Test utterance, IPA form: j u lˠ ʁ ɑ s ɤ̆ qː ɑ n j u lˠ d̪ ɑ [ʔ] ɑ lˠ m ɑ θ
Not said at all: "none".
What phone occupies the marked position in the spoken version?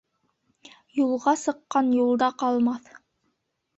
q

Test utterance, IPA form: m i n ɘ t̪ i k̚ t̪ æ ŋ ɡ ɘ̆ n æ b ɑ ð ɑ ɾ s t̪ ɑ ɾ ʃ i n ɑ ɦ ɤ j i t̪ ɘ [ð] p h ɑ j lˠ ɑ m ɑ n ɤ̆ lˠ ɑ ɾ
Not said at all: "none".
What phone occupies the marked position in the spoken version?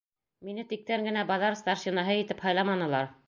none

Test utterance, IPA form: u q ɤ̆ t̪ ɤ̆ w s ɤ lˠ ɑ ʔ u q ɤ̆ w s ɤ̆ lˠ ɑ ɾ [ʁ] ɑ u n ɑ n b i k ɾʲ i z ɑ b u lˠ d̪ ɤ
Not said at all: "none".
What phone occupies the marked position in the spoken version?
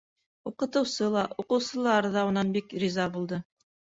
ð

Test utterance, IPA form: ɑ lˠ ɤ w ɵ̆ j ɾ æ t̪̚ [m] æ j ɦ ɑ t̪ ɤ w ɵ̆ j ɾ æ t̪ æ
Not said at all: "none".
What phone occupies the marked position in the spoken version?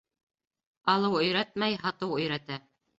m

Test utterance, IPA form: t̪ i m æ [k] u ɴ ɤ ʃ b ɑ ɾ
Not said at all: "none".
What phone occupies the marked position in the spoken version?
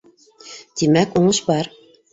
k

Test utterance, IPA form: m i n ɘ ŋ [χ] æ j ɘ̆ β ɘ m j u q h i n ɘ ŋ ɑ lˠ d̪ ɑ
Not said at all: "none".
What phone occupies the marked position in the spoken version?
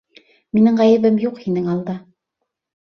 ʁ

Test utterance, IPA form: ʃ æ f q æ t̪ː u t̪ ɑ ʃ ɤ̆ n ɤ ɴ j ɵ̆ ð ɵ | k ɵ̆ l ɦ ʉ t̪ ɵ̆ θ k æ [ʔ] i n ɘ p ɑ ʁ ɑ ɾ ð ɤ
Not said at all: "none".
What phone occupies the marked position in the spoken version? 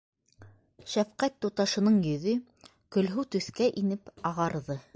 ʔ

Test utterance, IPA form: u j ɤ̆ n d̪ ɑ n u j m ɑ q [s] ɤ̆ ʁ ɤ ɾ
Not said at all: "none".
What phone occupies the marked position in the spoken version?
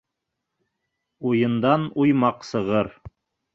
s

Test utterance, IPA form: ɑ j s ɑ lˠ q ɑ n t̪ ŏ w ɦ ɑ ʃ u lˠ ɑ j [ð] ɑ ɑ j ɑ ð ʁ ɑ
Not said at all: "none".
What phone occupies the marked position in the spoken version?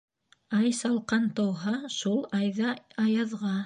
ð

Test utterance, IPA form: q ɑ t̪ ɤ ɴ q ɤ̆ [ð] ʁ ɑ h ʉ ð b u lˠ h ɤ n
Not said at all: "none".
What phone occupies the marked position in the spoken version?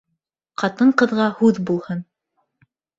ð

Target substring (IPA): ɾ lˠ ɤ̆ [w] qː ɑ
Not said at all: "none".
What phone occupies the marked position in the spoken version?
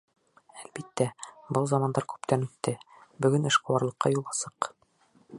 none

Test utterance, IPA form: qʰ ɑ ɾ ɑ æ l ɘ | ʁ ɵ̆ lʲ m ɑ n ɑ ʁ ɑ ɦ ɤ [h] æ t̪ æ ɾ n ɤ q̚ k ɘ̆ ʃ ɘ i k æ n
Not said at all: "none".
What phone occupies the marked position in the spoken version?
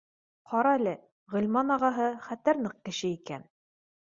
χ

